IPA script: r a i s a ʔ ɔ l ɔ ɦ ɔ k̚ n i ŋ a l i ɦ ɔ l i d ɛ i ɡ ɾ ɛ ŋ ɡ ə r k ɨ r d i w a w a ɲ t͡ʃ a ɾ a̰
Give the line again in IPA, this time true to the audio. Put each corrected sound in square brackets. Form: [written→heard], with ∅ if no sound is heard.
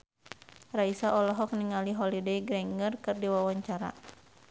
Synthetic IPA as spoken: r a i s a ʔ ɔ l ɔ ɦ ɔ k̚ n i ŋ a l i ɦ ɔ l i d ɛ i ɡ ɾ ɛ ŋ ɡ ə r k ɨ r d i w a w a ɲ t͡ʃ a ɾ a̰